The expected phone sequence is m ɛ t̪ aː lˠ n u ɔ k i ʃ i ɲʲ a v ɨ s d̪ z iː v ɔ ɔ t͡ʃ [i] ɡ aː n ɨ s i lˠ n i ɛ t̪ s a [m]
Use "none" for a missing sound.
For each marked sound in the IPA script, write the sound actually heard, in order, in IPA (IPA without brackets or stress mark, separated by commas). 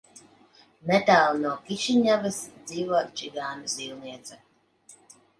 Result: i, none